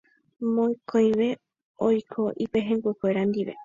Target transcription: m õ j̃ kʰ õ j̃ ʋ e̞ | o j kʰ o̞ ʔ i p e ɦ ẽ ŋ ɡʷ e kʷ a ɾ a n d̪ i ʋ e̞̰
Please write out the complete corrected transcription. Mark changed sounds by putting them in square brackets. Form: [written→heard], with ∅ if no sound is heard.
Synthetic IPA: m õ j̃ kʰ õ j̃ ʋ e̞ | o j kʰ o̞ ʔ i p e ɦ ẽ ŋ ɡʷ e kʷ [a→e] ɾ a n d̪ i ʋ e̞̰